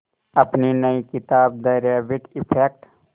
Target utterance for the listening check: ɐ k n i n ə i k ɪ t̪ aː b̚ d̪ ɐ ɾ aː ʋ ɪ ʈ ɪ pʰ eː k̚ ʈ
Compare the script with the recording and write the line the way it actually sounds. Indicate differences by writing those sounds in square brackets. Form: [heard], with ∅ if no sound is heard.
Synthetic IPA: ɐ [p] n i n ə i k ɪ t̪ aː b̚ d̪ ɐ ɾ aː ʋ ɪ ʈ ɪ pʰ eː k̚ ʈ